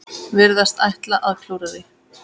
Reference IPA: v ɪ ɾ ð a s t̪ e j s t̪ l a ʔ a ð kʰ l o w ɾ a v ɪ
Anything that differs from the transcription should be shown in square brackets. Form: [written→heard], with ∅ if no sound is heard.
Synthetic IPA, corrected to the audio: v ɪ ɾ ð a s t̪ [e→a] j [s→h] t̪ l a ʔ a ð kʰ l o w ɾ a [v→ð] ɪ